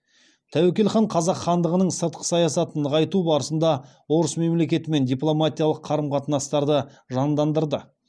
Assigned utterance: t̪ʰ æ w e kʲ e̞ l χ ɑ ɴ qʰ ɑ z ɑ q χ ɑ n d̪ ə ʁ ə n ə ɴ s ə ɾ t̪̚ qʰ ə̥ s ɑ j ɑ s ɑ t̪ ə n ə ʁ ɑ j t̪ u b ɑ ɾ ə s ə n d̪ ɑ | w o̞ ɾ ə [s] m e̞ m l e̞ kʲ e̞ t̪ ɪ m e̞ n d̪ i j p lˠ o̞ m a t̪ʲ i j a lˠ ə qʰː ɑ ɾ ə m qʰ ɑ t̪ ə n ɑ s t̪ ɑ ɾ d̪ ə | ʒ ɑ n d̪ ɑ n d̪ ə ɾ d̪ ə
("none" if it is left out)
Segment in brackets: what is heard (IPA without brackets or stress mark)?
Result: s